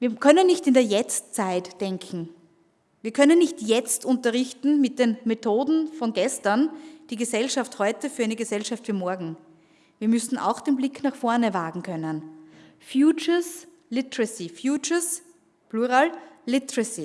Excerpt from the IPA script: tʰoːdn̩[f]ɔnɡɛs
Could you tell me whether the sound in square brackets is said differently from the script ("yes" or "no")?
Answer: no